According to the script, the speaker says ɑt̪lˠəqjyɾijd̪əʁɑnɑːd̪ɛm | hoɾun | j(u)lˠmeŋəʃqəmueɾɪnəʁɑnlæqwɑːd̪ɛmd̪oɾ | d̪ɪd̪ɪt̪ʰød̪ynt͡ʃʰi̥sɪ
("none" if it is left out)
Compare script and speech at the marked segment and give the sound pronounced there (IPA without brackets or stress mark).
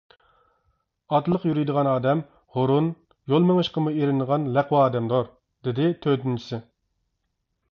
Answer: o